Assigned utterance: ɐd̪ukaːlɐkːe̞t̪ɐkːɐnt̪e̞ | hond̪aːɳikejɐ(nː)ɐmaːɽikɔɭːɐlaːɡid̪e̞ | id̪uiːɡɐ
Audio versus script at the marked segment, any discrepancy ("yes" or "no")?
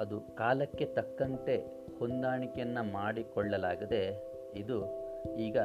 no